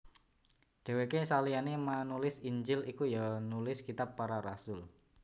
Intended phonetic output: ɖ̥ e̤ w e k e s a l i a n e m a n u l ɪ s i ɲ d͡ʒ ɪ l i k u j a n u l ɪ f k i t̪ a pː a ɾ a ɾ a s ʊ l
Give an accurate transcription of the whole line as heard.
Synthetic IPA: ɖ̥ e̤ w e k e s a l i a n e m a n u l ɪ s i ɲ d͡ʒ ɪ l i k u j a n u l ɪ s k i t̪ a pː a ɾ a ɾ a s ʊ l